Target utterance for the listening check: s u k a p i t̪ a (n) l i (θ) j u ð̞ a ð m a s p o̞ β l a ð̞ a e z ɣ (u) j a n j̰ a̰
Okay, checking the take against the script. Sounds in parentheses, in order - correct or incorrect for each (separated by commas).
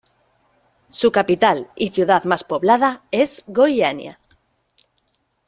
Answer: incorrect, correct, incorrect